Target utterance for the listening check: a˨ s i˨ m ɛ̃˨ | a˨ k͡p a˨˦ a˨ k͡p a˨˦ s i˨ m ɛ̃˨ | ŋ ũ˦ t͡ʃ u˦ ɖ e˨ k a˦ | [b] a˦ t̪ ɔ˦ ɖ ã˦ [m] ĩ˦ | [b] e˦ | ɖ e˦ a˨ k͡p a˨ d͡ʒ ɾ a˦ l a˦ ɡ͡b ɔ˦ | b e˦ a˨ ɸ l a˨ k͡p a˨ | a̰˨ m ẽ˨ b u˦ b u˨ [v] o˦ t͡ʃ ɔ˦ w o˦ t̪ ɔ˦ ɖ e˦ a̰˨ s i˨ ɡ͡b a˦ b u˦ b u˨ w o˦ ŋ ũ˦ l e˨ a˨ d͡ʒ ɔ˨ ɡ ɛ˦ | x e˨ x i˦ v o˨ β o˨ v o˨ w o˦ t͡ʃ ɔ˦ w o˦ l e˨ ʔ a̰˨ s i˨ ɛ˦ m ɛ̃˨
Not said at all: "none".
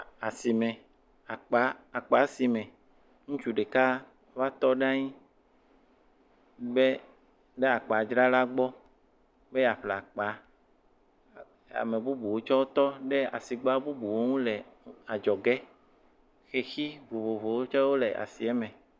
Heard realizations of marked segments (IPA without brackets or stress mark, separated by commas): v, ɲ, b, w